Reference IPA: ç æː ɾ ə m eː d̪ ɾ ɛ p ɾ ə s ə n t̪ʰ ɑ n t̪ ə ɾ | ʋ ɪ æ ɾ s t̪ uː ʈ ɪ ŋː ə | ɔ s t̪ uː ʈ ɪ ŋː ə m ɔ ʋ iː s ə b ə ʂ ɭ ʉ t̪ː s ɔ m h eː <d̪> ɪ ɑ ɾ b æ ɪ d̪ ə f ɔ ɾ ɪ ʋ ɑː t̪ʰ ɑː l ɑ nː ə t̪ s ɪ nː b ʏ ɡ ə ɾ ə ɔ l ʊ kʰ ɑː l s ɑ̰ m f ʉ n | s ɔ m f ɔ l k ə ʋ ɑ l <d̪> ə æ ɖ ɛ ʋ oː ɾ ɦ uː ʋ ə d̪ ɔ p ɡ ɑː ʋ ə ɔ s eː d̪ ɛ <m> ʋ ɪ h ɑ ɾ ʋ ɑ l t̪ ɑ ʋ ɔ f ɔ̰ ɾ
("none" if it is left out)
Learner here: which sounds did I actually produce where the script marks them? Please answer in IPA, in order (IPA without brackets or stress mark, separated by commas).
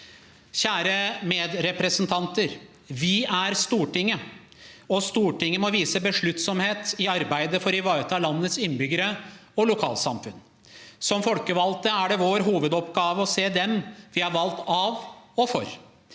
t̪, t̪, m